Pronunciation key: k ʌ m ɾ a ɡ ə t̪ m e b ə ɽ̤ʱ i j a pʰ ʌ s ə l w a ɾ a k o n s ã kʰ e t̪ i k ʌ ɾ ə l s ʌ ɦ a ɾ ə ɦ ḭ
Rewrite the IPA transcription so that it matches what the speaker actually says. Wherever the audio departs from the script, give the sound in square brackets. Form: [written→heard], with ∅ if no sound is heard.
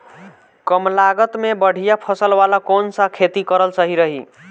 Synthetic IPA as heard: k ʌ m [ɾ→l] a ɡ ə t̪ m e b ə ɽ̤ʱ i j a pʰ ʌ s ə l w a [ɾ→l] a k o n s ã kʰ e t̪ i k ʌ ɾ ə l s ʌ ɦ [a→i] ɾ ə ɦ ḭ